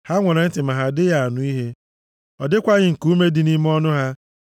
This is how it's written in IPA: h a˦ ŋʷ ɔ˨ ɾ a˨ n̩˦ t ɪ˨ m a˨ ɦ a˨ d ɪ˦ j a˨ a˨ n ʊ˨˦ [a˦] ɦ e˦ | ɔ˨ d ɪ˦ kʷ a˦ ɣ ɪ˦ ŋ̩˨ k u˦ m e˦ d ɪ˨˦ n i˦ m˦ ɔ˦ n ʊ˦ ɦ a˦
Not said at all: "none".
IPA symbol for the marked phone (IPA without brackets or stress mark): i˦